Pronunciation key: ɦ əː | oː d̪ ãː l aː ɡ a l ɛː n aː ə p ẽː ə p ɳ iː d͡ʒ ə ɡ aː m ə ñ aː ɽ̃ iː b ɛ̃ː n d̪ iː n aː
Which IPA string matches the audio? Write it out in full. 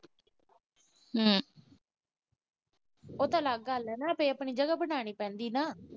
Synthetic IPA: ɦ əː | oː t̪ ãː l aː ɡ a l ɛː n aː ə p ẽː ə p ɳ iː d͡ʒ ə ɡ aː b ə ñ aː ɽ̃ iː p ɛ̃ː n d̪ iː n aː